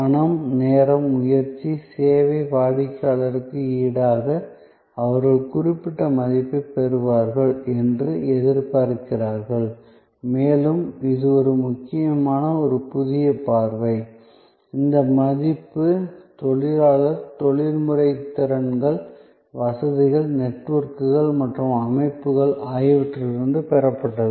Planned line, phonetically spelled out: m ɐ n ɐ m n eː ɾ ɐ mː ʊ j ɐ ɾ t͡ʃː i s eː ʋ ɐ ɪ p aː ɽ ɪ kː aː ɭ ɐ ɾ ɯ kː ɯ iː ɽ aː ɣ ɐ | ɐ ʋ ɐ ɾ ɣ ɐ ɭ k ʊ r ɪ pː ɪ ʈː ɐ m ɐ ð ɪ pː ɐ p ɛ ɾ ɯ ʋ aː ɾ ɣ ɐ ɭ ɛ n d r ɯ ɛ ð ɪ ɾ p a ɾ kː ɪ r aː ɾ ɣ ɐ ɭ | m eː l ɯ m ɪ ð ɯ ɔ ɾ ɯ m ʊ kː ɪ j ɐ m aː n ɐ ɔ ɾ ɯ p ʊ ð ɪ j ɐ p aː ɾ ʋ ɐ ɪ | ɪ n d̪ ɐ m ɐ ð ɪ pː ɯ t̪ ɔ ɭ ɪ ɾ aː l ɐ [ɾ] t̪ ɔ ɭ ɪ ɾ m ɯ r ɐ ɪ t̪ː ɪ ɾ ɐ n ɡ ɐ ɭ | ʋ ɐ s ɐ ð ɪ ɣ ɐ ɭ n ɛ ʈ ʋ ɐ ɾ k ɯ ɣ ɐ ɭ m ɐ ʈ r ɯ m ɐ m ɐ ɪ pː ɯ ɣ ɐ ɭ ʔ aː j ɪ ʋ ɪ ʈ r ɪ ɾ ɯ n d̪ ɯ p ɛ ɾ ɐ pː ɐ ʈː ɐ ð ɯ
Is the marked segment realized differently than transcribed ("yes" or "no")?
no